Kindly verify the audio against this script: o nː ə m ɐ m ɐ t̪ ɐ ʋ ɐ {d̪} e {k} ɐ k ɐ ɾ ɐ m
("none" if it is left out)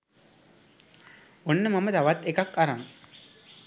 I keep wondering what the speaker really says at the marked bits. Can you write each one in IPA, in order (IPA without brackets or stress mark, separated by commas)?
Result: t̪, k